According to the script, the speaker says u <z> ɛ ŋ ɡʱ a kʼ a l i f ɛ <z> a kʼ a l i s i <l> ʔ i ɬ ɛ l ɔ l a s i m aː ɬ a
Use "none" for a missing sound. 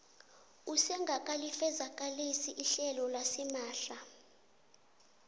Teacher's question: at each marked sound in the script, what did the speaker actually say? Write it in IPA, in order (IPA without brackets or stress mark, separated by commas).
s, z, none